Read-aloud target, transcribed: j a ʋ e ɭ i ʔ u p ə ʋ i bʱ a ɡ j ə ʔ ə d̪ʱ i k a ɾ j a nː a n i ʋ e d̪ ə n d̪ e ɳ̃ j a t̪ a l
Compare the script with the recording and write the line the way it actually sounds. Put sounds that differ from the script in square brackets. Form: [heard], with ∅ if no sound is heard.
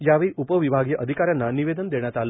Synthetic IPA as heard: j a ʋ e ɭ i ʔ u p ə ʋ i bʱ a ɡ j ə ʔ ə d̪ʱ i k a ɾ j a nː a n i ʋ e d̪ ə n d̪ e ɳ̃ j a t̪ a l